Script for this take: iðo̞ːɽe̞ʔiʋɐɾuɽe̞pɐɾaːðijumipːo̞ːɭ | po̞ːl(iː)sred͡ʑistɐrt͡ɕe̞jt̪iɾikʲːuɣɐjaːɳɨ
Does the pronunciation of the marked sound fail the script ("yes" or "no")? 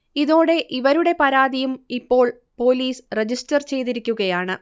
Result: no